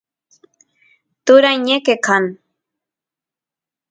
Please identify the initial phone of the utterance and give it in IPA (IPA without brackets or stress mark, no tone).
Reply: t̪